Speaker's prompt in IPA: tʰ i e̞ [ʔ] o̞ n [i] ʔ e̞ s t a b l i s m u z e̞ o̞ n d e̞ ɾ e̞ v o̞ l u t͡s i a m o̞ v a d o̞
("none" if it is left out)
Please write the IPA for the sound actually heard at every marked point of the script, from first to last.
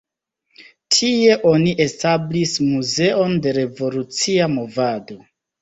ʔ, i

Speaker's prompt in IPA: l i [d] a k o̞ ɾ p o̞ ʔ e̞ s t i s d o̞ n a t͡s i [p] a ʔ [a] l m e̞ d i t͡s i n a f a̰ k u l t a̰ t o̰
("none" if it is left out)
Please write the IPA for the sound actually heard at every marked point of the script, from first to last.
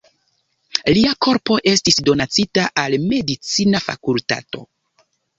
none, t, a

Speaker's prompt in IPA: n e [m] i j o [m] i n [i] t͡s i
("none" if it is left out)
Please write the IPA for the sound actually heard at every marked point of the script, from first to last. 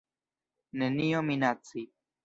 n, m, a

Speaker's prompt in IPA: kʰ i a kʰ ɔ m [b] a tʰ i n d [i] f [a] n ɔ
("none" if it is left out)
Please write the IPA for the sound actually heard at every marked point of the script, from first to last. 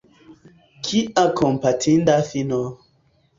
p, a, i

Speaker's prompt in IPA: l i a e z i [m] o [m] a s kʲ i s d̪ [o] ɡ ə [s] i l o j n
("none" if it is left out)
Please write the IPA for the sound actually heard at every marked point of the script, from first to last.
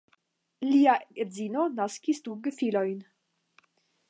n, n, u, f

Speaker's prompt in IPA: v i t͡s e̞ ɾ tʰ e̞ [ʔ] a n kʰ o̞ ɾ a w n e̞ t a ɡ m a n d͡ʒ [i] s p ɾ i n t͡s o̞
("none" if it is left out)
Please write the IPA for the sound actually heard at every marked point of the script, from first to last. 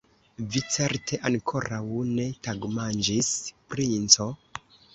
ʔ, i

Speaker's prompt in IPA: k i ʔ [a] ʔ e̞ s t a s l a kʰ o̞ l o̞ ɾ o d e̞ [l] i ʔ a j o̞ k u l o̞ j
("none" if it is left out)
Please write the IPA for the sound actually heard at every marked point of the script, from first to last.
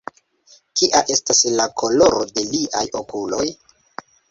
a, l

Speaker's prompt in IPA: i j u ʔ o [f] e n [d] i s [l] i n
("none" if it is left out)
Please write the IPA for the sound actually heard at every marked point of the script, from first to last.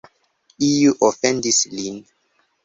f, d, l

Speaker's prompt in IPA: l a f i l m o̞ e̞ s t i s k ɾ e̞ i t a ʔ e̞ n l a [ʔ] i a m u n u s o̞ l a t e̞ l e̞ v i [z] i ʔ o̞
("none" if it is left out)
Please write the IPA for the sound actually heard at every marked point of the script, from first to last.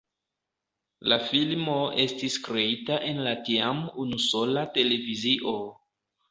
t, z

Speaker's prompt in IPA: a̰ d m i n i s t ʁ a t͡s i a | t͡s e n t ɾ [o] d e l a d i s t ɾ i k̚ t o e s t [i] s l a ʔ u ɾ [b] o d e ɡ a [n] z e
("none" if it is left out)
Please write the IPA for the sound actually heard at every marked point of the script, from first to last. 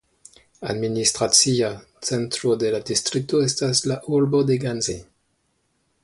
o, a, b, n

